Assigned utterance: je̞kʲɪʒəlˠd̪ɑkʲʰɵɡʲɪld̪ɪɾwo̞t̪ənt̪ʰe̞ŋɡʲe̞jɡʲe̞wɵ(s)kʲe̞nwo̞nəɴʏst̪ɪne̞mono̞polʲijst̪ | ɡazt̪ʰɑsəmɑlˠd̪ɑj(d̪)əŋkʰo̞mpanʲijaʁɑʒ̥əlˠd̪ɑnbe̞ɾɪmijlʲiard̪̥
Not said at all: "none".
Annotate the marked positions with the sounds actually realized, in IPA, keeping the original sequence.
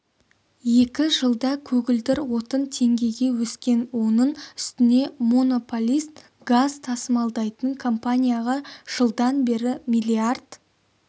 s, t̪

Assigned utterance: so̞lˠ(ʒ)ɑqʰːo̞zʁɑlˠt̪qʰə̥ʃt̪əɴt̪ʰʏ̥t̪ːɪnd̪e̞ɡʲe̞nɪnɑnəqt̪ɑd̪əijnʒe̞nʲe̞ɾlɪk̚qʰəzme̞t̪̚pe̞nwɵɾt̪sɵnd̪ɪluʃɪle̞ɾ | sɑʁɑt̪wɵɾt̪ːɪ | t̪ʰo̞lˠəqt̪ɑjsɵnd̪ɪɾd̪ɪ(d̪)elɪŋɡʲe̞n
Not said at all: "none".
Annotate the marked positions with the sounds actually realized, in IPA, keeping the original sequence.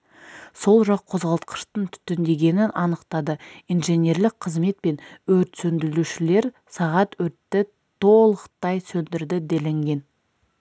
ʒ, d̪

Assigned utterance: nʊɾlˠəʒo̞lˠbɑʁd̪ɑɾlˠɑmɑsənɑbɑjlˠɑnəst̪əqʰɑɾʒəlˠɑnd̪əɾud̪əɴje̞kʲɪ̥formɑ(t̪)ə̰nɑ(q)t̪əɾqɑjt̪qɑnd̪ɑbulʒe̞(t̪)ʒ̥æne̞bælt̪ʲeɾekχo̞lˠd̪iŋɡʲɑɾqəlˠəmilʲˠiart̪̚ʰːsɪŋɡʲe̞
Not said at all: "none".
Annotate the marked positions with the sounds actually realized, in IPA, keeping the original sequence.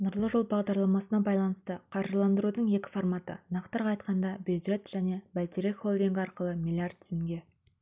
t̪, q, t̪

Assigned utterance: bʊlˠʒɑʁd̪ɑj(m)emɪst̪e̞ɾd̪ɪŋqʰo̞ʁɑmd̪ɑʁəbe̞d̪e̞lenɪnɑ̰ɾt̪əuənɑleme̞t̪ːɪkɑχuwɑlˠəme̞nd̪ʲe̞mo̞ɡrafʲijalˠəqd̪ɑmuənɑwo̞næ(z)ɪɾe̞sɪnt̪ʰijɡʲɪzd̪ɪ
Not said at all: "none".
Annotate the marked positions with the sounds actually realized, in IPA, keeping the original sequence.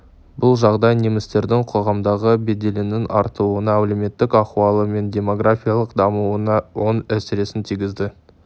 n, s

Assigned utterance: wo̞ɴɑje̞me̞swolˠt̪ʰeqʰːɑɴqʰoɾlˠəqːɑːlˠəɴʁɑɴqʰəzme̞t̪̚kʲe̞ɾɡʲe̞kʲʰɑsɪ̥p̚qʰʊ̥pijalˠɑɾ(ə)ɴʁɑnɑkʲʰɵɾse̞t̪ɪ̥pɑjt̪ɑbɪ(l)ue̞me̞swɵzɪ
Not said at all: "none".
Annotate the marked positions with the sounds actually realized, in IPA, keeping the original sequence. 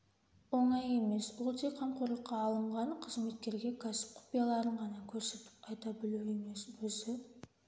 ə, l

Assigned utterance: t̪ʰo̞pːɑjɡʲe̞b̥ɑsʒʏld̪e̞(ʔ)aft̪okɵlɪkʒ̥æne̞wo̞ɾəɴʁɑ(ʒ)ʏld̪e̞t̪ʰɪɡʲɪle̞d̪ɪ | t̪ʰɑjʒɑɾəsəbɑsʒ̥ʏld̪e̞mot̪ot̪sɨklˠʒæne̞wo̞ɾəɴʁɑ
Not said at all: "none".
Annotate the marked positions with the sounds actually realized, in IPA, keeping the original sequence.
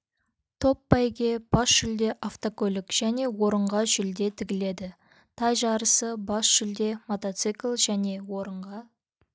ʔ, ʒ

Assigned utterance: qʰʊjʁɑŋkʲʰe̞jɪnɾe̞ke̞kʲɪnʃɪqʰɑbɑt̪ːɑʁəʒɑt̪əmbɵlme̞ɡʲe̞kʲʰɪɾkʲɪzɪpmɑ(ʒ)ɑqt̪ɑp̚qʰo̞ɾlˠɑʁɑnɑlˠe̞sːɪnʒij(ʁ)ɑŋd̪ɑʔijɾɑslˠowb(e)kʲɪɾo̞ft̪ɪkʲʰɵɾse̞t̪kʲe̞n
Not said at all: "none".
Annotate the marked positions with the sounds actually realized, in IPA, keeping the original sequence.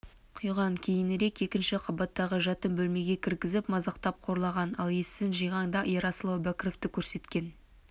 z, ʁ, æ

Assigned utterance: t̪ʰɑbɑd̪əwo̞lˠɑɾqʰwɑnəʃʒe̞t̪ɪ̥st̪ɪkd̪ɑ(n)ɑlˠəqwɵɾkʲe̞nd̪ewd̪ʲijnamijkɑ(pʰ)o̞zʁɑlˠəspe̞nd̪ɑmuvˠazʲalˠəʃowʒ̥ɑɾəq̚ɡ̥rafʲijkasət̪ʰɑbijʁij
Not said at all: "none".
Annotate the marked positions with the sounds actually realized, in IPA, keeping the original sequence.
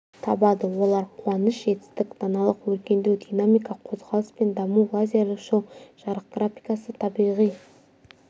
n, qʰ

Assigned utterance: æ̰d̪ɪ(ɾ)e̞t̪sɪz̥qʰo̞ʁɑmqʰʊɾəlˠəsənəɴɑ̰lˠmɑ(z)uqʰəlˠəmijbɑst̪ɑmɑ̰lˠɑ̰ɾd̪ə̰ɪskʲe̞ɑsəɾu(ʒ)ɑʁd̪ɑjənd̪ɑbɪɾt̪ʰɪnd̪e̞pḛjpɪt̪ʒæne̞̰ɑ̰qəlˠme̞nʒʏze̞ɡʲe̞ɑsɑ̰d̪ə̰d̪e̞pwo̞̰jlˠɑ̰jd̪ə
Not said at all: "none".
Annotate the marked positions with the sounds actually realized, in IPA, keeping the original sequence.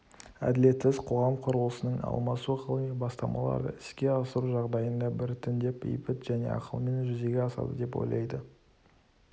l, s, ʒ

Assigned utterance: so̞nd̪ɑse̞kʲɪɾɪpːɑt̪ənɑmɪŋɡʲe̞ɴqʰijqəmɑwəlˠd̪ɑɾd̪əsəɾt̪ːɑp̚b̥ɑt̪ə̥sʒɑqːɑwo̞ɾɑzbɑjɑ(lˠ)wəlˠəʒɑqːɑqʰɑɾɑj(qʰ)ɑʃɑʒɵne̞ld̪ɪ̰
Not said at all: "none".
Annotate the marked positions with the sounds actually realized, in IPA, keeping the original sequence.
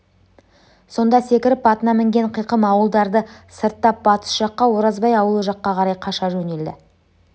none, qʰ

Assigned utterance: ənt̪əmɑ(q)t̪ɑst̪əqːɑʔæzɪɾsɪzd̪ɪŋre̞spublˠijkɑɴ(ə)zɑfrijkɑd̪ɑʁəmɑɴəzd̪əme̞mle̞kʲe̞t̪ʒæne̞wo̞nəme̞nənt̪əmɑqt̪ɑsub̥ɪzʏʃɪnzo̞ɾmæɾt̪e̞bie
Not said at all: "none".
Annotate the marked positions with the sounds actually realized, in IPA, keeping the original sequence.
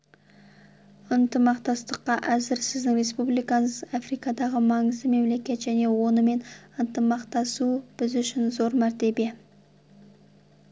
q, ə

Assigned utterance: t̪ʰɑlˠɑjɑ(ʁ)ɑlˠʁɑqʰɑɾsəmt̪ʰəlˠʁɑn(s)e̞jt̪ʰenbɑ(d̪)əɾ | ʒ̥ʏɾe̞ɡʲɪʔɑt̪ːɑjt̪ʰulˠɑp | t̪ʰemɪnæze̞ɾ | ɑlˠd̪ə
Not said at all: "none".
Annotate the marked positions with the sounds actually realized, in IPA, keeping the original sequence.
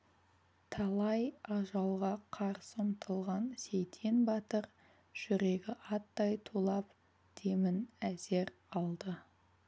ʒ, s, t̪

